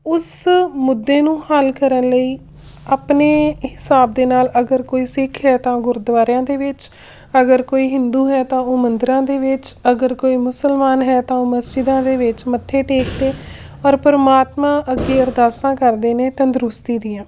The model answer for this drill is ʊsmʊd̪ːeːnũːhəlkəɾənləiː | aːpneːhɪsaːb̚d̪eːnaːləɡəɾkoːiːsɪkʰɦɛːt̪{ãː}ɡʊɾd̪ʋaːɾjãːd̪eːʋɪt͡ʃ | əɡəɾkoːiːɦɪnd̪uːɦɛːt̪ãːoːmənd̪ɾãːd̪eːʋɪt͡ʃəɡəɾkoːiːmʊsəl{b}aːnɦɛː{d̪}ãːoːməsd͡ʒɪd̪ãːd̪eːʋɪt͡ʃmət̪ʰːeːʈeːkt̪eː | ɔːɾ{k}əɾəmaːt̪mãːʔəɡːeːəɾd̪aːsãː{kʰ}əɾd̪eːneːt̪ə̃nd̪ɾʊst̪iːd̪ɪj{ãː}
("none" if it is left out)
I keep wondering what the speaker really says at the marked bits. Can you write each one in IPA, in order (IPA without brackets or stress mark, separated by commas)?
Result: ãː, m, t̪, p, k, ãː